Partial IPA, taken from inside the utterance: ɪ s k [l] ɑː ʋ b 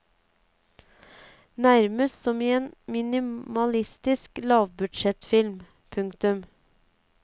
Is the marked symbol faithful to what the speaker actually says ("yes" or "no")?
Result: yes